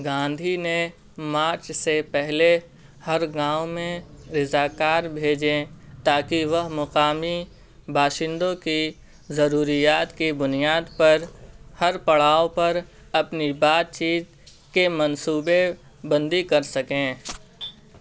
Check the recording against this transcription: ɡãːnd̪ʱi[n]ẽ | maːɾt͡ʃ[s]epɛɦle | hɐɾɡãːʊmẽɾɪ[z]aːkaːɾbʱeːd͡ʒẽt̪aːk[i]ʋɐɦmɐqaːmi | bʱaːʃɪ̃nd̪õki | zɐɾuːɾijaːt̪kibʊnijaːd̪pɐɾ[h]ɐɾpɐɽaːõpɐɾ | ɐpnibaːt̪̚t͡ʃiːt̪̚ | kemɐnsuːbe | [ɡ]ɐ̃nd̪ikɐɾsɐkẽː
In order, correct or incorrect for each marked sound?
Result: correct, correct, correct, correct, correct, incorrect

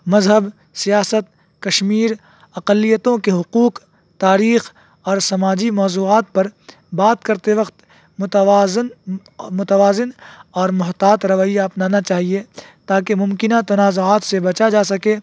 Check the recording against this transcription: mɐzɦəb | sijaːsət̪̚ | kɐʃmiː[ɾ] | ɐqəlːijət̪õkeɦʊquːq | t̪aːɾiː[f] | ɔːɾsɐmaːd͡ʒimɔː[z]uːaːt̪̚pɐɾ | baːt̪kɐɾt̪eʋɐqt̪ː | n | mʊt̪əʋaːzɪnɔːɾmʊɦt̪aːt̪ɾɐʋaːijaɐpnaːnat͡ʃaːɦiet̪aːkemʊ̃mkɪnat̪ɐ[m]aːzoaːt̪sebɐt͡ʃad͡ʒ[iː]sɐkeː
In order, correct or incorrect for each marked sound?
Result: correct, incorrect, correct, incorrect, incorrect

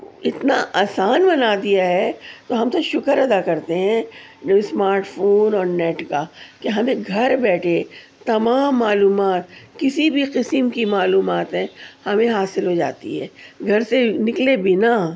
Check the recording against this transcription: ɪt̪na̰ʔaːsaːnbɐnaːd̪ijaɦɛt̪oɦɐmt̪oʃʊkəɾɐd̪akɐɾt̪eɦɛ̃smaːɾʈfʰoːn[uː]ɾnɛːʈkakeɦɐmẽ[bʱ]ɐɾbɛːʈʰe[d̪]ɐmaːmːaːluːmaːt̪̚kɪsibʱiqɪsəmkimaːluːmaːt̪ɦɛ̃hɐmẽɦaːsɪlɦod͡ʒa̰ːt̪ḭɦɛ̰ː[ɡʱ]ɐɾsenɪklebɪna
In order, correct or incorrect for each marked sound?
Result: incorrect, incorrect, incorrect, correct

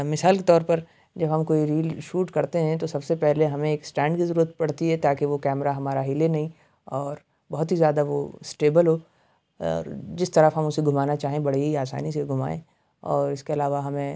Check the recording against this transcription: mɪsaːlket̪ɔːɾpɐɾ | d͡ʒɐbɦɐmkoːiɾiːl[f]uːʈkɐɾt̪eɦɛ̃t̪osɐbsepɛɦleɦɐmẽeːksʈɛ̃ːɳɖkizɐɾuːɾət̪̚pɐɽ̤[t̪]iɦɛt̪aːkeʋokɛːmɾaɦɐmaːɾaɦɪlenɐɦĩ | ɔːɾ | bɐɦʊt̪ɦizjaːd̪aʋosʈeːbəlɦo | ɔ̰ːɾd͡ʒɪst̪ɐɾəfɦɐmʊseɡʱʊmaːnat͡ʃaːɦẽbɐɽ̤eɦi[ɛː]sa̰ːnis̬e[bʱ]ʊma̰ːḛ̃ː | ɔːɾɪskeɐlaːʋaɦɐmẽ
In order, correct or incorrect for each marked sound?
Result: incorrect, correct, incorrect, incorrect

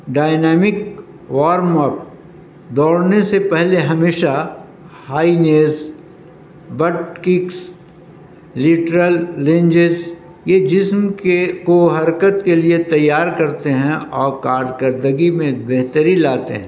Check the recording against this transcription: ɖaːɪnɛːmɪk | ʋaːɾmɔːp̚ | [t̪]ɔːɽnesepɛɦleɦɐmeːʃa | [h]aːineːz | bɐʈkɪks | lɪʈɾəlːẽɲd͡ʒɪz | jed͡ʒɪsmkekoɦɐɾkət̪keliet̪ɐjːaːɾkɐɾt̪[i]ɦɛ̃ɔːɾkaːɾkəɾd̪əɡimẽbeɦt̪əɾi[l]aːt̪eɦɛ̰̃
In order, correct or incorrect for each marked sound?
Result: incorrect, correct, incorrect, correct

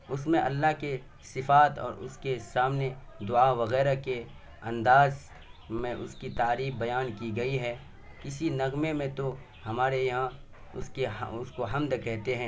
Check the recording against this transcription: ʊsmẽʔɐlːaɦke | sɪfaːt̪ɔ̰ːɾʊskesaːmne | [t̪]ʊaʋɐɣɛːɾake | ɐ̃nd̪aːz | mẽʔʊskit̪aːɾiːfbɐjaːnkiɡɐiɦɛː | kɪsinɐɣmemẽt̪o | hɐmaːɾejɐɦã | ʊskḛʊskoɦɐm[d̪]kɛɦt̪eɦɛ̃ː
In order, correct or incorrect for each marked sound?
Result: incorrect, correct

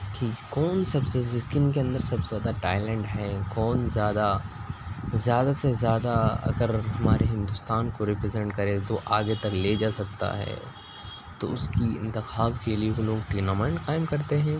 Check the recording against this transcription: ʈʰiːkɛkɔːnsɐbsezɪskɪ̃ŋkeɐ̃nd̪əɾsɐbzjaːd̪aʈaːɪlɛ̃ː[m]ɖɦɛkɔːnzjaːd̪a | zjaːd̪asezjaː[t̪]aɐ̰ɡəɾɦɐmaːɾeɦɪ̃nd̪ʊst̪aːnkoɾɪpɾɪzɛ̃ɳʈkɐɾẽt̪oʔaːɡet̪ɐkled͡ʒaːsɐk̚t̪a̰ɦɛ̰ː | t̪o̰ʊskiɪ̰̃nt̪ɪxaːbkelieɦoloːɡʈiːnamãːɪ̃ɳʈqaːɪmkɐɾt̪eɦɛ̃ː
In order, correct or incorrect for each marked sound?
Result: incorrect, incorrect

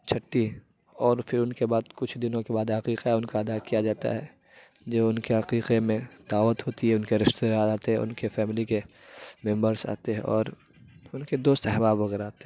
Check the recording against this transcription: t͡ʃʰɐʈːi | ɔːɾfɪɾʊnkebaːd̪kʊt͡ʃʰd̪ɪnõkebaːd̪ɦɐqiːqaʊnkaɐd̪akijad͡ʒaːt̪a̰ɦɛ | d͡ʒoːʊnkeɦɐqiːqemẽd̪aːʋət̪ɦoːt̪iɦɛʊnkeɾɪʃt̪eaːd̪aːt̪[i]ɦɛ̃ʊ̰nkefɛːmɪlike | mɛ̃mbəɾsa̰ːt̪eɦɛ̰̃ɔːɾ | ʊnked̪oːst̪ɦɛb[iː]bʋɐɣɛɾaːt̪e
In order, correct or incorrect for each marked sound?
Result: incorrect, incorrect

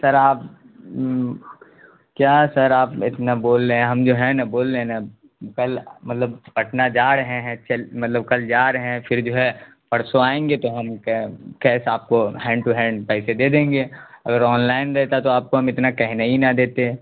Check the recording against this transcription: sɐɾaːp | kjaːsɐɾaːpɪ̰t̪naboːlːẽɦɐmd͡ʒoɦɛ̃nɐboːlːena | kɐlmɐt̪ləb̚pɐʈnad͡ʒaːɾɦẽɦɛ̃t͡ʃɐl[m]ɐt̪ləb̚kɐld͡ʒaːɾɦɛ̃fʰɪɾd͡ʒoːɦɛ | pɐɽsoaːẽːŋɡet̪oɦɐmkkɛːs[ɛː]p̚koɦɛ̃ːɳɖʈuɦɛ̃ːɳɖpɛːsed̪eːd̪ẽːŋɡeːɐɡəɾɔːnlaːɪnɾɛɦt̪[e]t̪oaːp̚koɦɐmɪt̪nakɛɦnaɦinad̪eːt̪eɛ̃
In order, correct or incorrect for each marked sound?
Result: correct, incorrect, incorrect

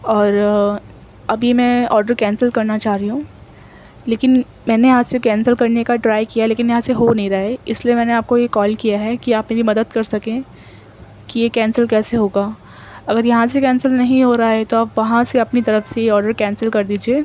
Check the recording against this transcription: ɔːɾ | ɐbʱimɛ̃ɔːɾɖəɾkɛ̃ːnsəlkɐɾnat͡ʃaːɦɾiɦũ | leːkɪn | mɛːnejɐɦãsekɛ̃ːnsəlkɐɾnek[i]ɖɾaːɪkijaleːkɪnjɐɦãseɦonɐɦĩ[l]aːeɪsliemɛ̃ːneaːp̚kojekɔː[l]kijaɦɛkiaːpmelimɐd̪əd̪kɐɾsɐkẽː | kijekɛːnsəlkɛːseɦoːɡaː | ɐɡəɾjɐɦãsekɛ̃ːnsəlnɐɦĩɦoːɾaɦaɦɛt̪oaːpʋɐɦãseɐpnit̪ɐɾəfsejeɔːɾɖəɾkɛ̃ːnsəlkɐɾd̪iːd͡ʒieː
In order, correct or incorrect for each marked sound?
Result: incorrect, incorrect, correct

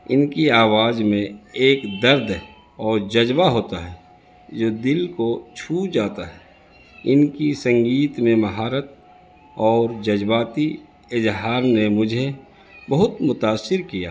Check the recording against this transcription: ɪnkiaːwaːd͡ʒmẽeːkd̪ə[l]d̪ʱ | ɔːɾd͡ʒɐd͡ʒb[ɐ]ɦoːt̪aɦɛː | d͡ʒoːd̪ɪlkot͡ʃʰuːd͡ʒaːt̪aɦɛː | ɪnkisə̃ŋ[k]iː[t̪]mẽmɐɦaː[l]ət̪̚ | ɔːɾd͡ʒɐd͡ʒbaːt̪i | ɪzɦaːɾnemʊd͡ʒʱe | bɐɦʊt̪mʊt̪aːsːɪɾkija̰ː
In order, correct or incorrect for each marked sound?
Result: incorrect, incorrect, incorrect, correct, incorrect

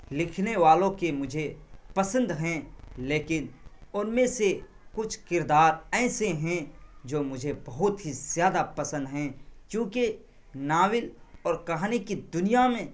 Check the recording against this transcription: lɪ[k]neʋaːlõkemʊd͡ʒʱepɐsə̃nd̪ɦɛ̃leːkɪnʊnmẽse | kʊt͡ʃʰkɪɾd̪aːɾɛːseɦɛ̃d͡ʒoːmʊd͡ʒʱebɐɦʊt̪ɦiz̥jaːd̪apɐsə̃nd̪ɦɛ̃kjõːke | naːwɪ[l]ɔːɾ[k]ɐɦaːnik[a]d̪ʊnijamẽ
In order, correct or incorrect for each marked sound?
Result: incorrect, correct, correct, incorrect

